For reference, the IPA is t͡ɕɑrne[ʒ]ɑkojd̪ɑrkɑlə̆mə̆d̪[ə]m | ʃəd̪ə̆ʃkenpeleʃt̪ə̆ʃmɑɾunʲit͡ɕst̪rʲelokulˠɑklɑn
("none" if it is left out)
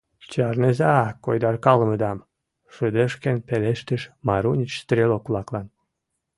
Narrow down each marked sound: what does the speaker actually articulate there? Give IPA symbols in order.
z, ɑ

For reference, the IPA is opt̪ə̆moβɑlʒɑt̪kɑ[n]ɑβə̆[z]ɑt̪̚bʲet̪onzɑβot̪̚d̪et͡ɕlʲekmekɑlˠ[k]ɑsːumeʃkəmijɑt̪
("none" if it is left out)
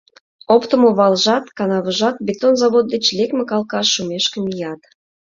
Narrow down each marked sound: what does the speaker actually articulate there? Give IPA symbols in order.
n, ʒ, k

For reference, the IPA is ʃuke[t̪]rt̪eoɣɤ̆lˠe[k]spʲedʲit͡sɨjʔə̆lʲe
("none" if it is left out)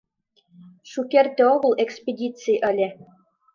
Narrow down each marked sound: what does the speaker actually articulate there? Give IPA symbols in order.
none, k

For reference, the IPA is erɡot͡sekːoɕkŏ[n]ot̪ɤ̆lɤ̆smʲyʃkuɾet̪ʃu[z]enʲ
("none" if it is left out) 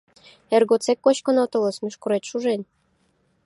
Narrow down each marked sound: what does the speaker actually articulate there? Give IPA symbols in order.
n, ʒ

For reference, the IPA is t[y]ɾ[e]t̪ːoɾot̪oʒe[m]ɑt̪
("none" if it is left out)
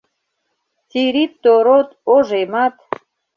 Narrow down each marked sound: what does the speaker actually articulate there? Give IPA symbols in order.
i, i, m

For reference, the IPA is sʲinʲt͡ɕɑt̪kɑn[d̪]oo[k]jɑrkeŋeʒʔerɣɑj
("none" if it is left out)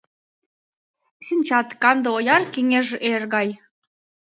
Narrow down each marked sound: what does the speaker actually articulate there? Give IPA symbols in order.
d̪, none

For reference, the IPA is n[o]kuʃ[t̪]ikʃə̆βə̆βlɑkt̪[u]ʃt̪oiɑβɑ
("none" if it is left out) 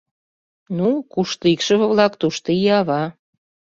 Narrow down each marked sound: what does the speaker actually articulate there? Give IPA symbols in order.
u, t̪, u

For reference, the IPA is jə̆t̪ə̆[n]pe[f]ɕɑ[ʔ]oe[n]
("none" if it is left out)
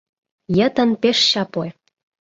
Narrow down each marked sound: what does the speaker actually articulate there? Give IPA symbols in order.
n, ʃ, p, none

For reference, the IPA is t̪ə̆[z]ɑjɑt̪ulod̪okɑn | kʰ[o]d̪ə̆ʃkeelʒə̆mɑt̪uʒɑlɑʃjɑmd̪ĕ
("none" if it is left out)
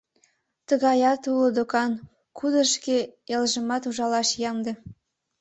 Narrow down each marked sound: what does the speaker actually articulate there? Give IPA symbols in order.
ɣ, u

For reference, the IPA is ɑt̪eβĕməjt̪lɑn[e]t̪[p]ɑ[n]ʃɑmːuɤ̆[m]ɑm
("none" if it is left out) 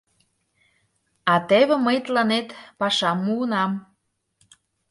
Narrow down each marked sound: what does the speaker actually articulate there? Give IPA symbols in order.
e, p, none, n

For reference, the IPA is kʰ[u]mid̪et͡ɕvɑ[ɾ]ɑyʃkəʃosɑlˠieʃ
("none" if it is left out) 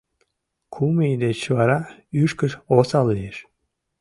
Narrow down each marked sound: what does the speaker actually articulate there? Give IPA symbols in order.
u, ɾ

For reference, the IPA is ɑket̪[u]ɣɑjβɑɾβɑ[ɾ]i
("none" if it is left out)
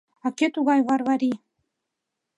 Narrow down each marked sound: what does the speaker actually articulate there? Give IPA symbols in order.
u, ɾ

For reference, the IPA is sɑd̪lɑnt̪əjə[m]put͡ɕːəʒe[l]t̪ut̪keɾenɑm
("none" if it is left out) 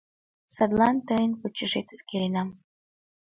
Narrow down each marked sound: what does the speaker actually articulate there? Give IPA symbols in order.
n, none

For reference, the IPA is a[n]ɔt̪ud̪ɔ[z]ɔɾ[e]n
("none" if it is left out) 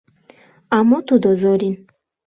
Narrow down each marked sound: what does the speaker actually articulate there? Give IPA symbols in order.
m, z, i

